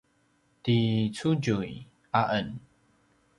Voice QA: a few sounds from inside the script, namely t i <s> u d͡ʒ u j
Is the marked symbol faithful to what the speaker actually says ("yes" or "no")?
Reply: no